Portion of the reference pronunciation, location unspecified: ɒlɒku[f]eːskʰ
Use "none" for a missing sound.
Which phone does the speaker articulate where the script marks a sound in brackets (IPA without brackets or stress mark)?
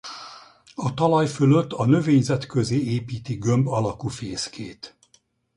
f